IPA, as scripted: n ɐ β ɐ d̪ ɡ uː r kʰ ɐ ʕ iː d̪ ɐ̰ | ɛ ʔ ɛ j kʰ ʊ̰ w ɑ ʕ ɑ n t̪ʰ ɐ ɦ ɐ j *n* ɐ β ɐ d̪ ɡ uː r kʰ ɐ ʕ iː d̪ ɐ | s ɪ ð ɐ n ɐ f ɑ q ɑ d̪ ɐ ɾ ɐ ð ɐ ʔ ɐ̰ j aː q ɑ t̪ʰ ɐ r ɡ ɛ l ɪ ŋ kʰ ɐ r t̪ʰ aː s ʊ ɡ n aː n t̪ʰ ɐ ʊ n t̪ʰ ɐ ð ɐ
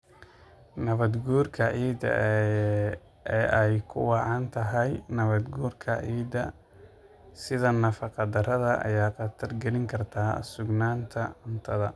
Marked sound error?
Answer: no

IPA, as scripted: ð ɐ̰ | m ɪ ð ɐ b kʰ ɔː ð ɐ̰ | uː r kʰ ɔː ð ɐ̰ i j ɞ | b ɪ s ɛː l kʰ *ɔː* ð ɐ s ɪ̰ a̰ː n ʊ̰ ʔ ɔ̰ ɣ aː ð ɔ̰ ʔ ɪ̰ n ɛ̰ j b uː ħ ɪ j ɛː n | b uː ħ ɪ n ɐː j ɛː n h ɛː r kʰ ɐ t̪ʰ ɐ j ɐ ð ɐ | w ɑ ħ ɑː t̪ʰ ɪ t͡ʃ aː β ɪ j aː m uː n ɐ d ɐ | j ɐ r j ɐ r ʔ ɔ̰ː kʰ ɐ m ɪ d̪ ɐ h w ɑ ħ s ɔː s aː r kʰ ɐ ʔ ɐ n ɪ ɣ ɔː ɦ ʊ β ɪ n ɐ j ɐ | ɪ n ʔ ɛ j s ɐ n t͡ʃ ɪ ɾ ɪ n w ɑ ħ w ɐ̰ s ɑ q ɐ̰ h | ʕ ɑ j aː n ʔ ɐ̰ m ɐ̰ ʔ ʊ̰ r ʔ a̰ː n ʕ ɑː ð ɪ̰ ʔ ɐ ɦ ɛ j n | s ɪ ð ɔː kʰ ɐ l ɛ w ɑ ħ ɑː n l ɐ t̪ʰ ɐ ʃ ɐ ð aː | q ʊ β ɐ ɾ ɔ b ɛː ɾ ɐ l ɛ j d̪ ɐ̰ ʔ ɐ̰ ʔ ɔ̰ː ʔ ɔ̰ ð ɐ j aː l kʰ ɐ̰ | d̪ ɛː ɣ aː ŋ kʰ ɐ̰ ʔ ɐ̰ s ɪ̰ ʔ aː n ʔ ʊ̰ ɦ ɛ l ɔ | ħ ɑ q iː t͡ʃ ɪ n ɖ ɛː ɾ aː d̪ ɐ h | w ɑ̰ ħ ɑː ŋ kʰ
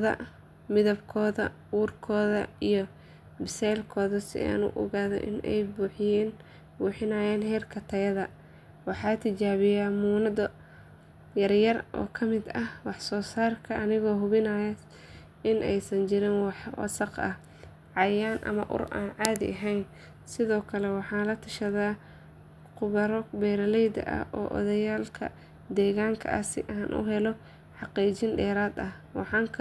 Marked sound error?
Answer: no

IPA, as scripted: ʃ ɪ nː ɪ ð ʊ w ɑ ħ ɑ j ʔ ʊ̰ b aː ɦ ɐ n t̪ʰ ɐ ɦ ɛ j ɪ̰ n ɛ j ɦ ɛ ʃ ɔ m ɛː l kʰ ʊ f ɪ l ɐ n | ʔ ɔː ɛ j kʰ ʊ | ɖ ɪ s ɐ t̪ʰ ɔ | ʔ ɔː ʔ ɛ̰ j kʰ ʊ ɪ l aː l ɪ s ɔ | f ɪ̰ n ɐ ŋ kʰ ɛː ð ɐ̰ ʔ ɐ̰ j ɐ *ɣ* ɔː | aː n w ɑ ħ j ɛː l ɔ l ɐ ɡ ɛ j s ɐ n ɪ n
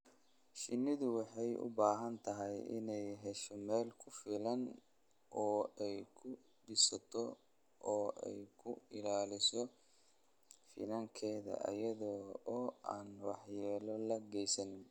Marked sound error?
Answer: yes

